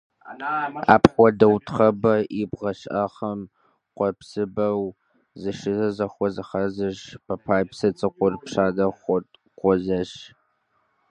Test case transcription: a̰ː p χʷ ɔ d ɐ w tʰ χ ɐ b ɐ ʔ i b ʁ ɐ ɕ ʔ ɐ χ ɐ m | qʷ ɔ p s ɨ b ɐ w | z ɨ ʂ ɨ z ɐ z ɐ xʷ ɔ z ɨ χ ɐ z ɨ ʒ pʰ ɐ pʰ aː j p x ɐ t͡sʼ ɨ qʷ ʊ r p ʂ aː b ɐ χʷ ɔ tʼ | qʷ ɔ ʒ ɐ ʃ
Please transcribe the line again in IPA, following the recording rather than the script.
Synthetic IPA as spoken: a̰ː p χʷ ɔ d ɐ w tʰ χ ɐ b ɐ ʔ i b ʁ ɐ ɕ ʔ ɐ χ ɐ m | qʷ ɔ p s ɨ b ɐ w | z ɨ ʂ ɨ z ɐ z ɐ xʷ ɔ z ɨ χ ɐ z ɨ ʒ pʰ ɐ pʰ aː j p s ɐ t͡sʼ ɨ qʷ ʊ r p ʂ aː d ɐ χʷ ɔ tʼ | qʷ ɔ z ɐ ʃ